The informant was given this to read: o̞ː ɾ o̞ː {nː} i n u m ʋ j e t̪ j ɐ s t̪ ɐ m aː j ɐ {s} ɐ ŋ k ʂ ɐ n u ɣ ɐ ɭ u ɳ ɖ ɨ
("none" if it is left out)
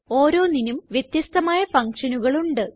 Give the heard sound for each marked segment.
n, f

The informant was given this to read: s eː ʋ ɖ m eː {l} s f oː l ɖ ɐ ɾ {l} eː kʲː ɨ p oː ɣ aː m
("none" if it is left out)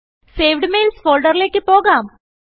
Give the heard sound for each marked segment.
l, l

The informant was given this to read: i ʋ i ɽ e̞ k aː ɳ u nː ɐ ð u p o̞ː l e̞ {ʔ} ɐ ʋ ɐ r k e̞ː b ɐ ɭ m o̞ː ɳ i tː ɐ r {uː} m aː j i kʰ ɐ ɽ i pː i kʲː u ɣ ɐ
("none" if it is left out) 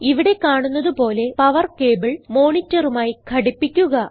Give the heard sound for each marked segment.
p, u

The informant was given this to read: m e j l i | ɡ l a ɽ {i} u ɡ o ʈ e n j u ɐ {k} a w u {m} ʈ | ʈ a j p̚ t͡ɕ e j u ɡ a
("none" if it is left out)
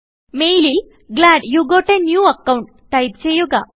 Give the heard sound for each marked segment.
j, k, ɳ

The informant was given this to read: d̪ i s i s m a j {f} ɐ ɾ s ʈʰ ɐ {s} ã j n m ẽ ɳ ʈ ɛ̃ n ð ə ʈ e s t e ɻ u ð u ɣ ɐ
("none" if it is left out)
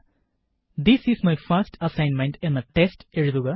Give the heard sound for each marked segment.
f, s

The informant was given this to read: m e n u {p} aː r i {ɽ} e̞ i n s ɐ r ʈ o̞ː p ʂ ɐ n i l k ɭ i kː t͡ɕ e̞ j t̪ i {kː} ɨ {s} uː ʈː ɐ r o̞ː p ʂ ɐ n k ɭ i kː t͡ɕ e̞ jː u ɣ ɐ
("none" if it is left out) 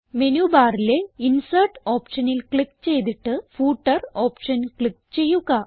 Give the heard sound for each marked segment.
b, l, ʈː, f

